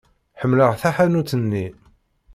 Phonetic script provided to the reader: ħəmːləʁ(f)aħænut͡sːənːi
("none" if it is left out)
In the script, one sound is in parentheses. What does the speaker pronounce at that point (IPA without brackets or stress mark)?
θ